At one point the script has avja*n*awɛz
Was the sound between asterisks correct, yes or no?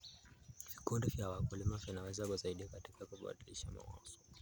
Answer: yes